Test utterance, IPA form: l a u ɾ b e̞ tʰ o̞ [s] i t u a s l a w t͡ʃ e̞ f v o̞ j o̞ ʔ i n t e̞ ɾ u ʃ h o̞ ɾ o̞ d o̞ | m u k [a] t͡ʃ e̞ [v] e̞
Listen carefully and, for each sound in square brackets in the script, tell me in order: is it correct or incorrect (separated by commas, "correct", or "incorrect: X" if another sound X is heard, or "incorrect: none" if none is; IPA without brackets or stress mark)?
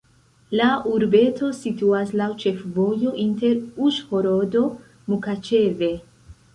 correct, correct, correct